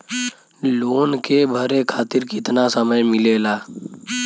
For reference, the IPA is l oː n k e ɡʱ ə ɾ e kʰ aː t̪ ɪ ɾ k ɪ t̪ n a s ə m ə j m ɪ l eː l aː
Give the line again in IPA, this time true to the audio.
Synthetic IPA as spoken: l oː n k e bʱ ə ɾ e kʰ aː t̪ ɪ ɾ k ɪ t̪ n a s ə m ə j m ɪ l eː l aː